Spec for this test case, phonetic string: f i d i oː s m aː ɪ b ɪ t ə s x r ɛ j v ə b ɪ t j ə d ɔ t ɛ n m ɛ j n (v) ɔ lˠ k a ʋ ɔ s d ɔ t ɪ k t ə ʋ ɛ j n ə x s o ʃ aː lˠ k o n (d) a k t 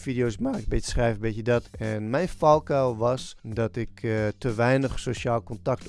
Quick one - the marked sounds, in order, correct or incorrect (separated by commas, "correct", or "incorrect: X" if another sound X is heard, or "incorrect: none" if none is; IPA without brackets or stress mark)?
incorrect: f, incorrect: t